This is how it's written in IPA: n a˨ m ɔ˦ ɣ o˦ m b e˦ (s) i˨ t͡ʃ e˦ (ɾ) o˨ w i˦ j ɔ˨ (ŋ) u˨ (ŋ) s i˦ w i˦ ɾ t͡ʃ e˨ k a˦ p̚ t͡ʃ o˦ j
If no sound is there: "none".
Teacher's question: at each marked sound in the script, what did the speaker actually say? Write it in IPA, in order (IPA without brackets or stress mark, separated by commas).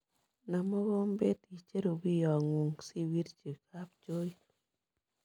t, ɾ, ŋ, ŋ